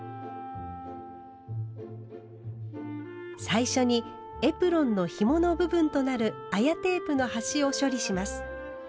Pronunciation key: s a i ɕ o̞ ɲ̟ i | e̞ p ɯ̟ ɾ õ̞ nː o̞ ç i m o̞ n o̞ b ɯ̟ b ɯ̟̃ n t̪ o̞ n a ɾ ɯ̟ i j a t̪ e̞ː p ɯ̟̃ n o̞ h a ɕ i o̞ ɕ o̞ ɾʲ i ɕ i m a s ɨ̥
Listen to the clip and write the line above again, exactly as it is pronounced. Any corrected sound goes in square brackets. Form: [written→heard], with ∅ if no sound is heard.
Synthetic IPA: s a i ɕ o̞ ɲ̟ i | e̞ p ɯ̟ ɾ õ̞ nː o̞ ç i m o̞ n o̞ b ɯ̟ b ɯ̟̃ n t̪ o̞ n a ɾ ɯ̟ [i→a] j a t̪ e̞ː p [ɯ̟̃→ɯ̟] n o̞ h a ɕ i o̞ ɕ o̞ ɾʲ i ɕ i m a s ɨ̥